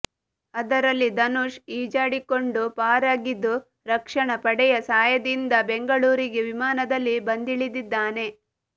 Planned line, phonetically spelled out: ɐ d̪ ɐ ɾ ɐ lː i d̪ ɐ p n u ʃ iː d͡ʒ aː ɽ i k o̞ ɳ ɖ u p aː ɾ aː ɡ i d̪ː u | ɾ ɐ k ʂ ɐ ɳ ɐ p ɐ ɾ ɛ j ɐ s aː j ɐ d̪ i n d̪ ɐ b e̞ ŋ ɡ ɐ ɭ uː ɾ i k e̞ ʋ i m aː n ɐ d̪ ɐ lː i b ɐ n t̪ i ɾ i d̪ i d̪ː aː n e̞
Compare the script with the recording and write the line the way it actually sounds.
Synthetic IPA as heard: ɐ d̪ ɐ ɾ ɐ lː i d̪ ɐ n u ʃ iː d͡ʒ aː ɽ i k o̞ ɳ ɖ u p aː ɾ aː ɡ i d̪ː u | ɾ ɐ k ʂ ɐ ɳ ɐ p ɐ ɽ ɛ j ɐ s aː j ɐ d̪ i n d̪ ɐ b e̞ ŋ ɡ ɐ ɭ uː ɾ i ɡ e̞ ʋ i m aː n ɐ d̪ ɐ lː i b ɐ n d̪ i ɭ i d̪ i d̪ː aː n e̞